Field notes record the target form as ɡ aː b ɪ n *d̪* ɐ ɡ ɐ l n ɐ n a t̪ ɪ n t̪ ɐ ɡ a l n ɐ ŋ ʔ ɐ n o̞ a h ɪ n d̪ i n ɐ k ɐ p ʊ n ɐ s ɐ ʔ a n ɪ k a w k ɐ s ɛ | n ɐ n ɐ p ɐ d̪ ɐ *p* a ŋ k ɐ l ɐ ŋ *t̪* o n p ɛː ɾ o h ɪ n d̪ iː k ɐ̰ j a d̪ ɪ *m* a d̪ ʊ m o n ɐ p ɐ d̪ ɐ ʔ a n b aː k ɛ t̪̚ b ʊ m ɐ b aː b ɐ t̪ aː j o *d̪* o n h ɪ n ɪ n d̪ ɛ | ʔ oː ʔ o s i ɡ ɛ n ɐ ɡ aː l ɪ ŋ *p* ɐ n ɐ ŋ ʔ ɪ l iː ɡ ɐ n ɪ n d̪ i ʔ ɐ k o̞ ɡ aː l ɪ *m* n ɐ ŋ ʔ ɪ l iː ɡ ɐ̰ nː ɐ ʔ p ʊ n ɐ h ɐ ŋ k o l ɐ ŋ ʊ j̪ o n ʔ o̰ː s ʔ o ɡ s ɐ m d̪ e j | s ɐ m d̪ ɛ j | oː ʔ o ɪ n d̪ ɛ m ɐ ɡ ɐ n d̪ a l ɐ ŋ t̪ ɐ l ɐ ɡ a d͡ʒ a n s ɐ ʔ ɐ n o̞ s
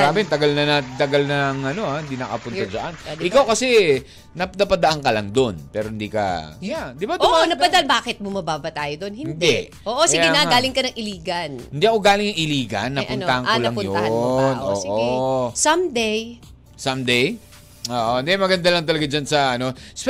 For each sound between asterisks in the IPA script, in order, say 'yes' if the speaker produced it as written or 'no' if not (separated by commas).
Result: no, no, no, no, yes, no, no